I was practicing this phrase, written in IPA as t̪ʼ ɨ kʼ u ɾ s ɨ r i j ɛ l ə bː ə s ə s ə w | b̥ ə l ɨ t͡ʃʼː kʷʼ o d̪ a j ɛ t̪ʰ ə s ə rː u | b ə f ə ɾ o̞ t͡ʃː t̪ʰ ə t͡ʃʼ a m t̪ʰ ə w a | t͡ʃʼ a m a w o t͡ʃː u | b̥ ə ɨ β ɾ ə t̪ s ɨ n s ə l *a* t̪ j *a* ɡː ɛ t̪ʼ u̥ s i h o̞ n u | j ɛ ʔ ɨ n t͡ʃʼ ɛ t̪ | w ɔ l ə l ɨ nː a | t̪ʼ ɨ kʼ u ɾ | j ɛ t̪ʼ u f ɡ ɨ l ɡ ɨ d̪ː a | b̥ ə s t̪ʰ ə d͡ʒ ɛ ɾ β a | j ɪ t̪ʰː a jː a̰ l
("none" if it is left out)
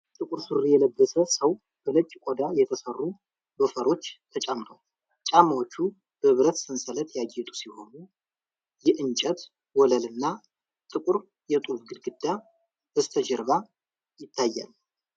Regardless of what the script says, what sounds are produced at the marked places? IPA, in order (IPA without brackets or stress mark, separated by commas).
ə, a